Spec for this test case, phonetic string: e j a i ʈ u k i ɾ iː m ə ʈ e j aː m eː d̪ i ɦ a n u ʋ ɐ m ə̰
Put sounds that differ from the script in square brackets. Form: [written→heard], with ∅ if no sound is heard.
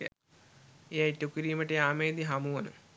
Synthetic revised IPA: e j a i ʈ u k i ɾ iː m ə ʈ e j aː m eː d̪ i ɦ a [n→m] u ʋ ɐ [m→n] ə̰